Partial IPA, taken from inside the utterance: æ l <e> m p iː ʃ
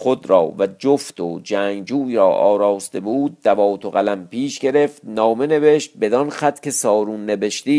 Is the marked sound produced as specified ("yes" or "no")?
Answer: no